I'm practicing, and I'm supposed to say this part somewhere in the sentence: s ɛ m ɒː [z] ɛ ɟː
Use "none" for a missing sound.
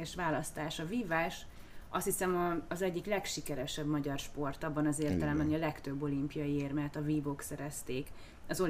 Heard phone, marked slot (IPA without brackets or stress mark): z